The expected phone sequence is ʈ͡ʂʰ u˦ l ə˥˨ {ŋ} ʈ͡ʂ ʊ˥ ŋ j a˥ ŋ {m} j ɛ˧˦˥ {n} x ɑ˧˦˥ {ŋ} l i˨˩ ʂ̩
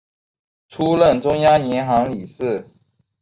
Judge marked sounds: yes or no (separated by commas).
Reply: no, no, yes, yes